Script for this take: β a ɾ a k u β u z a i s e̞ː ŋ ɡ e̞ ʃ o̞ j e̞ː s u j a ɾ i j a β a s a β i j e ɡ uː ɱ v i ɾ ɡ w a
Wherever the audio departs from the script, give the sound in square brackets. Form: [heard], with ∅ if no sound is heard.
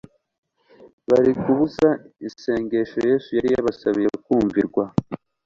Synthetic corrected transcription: β a ɾ [i] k u β u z a i s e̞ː ŋ ɡ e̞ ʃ o̞ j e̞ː s u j a ɾ i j a β a s a β i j e [k] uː ɱ v i ɾ ɡ w a